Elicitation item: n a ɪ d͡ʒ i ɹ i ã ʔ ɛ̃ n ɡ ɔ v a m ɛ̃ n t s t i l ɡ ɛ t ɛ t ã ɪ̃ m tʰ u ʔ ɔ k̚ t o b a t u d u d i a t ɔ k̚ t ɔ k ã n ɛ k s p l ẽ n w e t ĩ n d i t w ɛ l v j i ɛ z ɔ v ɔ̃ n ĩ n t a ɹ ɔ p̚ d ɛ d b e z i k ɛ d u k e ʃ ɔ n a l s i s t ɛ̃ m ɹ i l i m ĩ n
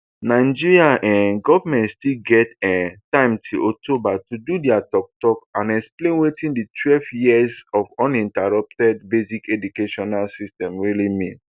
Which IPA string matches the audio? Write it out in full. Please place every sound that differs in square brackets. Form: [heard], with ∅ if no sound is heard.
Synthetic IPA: n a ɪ d͡ʒ i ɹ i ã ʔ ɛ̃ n ɡ ɔ v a m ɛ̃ n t s t i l ɡ ɛ t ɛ t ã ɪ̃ m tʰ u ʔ ɔ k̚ t o b a t u d u d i a t ɔ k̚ t ɔ k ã n ɛ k s p l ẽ n w e t ĩ n d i t w ɛ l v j i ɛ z ɔ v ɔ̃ n ĩ n t a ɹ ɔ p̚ [t] ɛ d b e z i k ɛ d u k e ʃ ɔ n a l s i s t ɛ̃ m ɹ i l i m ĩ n